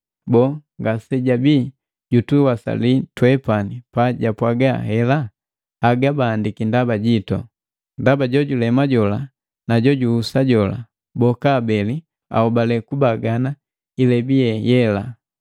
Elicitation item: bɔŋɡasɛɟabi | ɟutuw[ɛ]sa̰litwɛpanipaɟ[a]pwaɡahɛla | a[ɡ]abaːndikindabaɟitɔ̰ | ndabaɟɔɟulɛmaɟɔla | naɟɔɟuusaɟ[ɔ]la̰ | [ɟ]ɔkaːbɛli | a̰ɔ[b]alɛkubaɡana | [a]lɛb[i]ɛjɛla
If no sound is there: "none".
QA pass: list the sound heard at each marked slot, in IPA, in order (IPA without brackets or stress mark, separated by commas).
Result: a, a, ɡ, ɔ, b, b, i, i